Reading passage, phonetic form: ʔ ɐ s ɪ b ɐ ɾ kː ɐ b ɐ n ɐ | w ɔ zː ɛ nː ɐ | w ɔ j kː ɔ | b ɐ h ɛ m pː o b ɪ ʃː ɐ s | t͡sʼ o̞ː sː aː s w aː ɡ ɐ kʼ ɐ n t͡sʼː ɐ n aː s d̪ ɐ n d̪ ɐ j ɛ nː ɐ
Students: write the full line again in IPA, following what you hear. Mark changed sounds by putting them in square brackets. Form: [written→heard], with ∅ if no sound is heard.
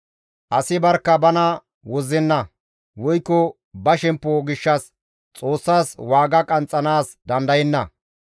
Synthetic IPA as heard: ʔ ɐ s ɪ b ɐ ɾ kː ɐ b ɐ n ɐ | w ɔ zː ɛ nː ɐ | w ɔ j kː ɔ | b ɐ [h→ʃ] ɛ m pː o [b→ɡ] ɪ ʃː ɐ s | t͡sʼ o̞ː sː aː s w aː ɡ ɐ kʼ ɐ n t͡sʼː ɐ n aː s d̪ ɐ n d̪ ɐ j ɛ nː ɐ